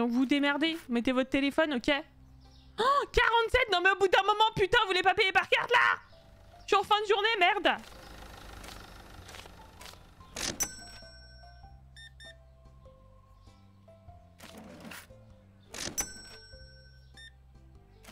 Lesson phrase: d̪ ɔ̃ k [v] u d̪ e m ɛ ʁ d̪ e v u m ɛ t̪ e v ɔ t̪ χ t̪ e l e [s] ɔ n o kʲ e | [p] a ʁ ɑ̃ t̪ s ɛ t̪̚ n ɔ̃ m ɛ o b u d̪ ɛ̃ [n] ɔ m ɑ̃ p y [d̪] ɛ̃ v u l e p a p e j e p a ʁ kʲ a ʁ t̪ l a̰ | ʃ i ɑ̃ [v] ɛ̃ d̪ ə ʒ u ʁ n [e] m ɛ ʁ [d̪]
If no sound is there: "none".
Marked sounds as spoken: v, f, k, m, t̪, f, e, d̪

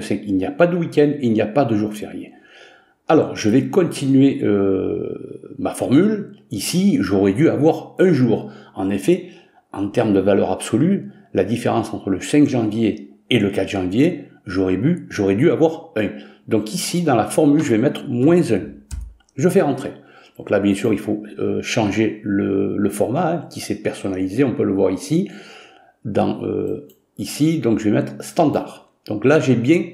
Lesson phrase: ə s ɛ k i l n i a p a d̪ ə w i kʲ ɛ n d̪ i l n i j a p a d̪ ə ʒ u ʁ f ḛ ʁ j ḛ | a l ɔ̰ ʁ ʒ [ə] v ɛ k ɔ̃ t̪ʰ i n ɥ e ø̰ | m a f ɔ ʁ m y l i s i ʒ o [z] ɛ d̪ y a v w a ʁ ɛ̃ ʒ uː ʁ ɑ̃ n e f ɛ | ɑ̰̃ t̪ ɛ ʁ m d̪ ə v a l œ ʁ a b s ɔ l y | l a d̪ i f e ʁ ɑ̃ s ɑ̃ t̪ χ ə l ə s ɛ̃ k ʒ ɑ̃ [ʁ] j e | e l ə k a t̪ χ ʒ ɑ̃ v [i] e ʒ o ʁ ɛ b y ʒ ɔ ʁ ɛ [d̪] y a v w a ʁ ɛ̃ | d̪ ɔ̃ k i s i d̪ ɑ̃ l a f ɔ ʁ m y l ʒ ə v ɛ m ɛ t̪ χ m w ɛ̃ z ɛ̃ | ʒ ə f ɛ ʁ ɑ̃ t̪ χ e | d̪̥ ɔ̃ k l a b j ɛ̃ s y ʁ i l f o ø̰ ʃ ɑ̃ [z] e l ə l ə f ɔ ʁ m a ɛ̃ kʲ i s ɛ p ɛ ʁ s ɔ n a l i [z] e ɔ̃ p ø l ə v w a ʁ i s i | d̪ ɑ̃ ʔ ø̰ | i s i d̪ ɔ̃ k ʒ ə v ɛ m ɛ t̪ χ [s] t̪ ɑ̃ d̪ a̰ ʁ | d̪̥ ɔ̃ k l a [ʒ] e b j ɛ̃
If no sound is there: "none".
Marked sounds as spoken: ə, ʁ, v, j, d̪, ʒ, z, s, ʒ

